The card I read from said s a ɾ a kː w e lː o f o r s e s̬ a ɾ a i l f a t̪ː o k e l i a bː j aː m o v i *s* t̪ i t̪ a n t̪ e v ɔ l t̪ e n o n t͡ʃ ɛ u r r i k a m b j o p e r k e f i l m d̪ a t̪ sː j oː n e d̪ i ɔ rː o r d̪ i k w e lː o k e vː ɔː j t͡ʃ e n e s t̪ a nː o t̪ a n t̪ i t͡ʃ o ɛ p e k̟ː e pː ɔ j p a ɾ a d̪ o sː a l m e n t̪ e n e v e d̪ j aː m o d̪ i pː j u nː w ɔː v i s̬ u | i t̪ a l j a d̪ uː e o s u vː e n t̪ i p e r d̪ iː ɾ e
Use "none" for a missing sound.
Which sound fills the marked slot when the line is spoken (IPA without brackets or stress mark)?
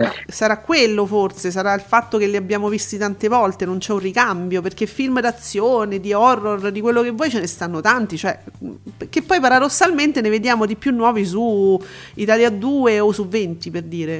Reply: s